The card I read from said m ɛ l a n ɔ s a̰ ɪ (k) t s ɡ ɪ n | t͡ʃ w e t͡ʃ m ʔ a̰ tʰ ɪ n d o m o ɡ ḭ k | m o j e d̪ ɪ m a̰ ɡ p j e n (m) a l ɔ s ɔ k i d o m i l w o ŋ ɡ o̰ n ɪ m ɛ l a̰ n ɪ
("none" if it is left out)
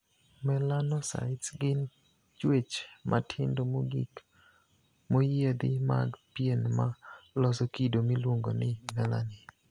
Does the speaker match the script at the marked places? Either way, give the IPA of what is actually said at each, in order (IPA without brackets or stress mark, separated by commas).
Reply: none, m